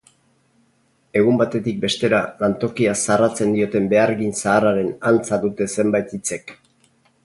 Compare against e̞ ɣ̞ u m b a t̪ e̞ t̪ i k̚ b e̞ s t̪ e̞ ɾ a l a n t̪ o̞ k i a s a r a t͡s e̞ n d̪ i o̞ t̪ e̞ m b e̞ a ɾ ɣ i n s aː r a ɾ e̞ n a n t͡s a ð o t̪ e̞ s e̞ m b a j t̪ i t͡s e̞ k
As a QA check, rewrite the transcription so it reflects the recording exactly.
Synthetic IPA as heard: e̞ ɣ̞ u m b a t̪ e̞ t̪ i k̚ b e̞ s t̪ e̞ ɾ a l a n t̪ o̞ k i a s a r a t͡s e̞ n d̪ i o̞ t̪ e̞ m b e̞ a ɾ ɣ i n s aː r a ɾ e̞ n a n t͡s a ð u t̪ e̞ s e̞ m b a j t̪ i t͡s e̞ k